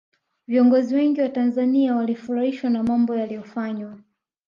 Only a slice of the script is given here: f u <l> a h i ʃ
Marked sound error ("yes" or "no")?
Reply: yes